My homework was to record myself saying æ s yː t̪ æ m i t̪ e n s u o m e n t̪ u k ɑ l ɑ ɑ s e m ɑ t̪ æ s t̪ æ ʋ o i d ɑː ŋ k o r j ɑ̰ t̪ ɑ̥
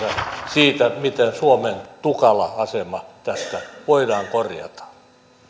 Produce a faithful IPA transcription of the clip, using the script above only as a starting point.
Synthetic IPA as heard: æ s iː t̪ æ m i t̪ e n s u o m e n t̪ u k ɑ l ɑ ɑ s e m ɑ t̪ æ s t̪ æ ʋ o i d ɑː ŋ k o r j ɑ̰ t̪ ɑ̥